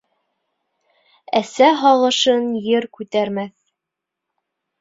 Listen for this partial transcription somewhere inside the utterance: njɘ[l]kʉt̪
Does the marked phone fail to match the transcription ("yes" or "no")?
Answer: yes